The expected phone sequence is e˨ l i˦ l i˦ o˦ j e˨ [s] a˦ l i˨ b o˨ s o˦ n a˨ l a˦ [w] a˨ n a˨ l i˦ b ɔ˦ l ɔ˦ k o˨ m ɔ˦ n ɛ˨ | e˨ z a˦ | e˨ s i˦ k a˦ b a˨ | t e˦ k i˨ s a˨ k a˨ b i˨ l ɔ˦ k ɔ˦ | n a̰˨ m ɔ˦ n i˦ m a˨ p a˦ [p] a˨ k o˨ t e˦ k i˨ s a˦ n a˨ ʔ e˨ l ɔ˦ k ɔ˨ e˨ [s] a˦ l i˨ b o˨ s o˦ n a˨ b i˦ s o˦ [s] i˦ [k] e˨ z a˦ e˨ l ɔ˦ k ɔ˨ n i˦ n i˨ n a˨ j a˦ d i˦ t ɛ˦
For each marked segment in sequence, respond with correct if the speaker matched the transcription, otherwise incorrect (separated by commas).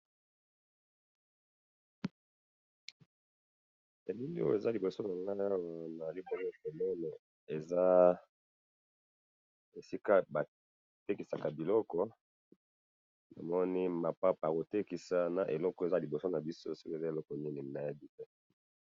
incorrect, correct, correct, incorrect, correct, correct